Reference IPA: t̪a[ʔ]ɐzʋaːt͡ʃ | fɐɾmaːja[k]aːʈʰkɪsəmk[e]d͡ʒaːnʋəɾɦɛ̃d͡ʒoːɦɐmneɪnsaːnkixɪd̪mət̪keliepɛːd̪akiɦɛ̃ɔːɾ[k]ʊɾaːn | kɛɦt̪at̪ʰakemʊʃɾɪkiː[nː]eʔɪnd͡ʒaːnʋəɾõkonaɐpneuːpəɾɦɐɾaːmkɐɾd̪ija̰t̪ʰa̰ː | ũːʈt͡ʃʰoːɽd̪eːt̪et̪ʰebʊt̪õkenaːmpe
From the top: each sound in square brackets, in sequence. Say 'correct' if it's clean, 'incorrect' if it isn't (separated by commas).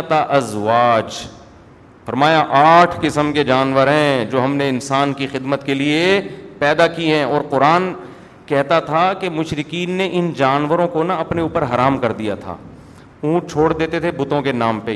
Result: correct, incorrect, correct, incorrect, correct